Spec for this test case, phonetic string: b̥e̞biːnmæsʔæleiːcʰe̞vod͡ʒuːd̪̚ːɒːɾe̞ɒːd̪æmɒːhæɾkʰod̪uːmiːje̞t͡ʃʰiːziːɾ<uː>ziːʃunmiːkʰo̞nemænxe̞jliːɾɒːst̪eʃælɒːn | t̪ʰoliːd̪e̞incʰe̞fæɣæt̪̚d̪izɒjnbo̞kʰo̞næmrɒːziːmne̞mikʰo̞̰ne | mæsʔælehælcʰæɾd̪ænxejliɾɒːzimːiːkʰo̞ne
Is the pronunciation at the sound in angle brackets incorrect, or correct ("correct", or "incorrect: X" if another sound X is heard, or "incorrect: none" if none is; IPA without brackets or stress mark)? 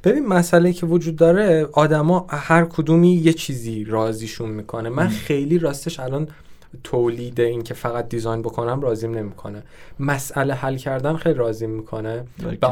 incorrect: ɒː